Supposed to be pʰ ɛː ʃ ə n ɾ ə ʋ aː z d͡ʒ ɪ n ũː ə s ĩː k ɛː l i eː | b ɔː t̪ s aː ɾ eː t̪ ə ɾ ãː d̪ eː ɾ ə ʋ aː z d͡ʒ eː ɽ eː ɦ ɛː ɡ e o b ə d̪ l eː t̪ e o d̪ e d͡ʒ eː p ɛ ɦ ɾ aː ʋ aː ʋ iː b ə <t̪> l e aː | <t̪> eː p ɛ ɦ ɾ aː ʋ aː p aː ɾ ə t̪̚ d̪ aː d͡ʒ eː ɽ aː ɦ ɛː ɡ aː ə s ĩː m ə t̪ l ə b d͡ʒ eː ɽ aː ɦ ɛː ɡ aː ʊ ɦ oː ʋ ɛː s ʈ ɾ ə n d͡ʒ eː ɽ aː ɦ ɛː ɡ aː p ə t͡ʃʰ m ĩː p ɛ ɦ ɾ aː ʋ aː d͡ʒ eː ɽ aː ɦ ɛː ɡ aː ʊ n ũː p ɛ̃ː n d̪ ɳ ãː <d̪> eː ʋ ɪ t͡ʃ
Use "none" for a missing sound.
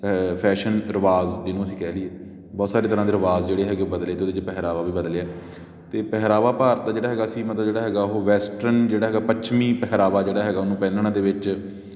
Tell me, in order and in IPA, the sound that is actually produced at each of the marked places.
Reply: d̪, t̪, d̪

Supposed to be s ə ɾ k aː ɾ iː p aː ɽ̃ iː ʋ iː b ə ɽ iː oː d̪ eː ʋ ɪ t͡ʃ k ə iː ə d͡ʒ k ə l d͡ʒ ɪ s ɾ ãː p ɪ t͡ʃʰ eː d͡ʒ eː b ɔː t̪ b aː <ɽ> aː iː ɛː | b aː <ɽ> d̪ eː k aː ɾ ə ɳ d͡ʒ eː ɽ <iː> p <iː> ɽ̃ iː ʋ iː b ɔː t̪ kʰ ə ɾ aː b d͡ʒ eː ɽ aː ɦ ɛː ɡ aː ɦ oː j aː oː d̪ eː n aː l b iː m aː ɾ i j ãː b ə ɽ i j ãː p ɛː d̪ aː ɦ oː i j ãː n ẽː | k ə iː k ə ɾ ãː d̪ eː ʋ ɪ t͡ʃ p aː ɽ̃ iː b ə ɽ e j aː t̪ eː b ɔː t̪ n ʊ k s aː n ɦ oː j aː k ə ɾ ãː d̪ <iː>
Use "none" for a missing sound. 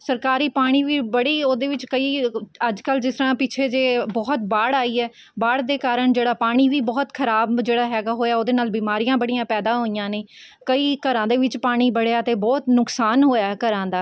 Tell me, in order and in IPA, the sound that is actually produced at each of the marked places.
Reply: ɽ, ɽ, aː, aː, aː

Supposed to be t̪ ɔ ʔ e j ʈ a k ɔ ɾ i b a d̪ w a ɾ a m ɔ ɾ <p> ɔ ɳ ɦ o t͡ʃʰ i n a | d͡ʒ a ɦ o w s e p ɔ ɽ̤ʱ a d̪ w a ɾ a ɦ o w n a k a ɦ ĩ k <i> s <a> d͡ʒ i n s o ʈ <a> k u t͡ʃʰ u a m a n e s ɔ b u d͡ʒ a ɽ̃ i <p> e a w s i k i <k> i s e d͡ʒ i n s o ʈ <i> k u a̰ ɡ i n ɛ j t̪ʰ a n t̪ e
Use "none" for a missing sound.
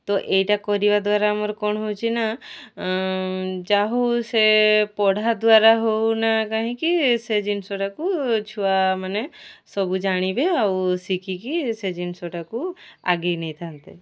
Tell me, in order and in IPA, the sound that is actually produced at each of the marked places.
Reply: k, i, e, a, b, k, a

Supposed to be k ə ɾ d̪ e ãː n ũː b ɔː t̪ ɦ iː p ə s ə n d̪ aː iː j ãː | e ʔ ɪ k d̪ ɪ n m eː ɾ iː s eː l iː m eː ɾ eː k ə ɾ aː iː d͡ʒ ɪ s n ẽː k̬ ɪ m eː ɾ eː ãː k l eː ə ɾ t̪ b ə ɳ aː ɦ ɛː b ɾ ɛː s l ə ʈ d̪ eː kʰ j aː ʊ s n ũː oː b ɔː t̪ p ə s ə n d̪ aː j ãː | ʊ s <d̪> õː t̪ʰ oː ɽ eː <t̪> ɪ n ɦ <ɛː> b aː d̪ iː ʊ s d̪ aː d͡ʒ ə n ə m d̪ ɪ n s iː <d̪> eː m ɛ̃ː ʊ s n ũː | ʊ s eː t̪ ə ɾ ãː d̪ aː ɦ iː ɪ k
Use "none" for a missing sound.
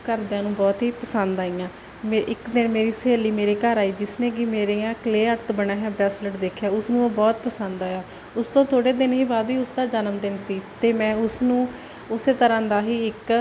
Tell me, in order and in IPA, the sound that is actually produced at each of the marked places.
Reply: t̪, d̪, iː, t̪

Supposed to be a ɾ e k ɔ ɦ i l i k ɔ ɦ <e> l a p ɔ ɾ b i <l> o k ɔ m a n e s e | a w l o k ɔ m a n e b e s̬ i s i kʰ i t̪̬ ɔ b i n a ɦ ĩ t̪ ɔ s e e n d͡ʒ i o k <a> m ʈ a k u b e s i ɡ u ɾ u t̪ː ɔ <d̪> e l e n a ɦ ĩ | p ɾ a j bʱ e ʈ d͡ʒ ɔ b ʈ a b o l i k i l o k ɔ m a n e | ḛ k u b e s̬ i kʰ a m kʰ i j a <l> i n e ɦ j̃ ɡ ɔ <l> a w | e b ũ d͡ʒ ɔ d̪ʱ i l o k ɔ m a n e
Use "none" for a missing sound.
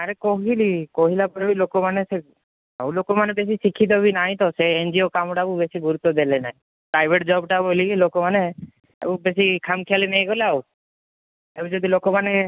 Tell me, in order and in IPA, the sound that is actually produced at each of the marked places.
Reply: i, l, a, d̪, l, l

